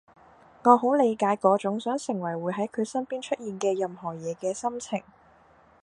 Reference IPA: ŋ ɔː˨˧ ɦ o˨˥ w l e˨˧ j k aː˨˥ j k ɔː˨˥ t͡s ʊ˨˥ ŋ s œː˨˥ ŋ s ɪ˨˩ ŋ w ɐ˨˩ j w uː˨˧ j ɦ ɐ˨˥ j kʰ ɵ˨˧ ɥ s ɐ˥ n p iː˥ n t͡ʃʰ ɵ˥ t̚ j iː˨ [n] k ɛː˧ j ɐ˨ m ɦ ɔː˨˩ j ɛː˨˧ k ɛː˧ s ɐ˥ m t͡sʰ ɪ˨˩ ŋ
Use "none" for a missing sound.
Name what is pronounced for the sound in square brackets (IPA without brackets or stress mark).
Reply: n